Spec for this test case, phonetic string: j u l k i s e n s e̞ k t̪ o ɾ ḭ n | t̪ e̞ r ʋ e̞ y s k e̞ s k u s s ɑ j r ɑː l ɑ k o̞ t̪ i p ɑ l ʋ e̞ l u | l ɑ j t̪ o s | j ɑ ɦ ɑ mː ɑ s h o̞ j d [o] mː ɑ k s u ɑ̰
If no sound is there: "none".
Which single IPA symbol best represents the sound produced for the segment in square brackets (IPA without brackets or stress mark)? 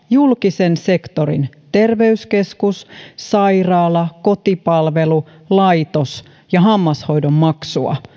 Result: o